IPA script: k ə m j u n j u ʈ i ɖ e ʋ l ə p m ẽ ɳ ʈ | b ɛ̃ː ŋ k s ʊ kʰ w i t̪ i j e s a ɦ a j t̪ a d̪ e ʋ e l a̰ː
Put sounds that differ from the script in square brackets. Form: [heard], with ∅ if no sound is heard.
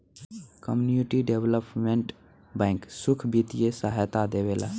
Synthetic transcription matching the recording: k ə m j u n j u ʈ i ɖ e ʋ l ə p m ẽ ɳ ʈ | b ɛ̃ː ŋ k s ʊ kʰ [b] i t̪ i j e s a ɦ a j t̪ a d̪ e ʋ e l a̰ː